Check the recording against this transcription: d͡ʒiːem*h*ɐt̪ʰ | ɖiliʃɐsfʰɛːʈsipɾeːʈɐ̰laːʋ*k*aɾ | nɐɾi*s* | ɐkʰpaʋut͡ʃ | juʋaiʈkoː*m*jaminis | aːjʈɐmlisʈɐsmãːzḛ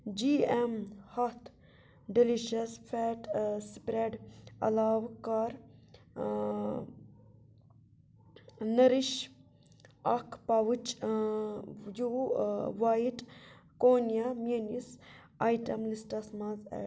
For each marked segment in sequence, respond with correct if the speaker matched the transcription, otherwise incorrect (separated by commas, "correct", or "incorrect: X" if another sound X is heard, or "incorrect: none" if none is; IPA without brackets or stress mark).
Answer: correct, correct, incorrect: ʃ, incorrect: n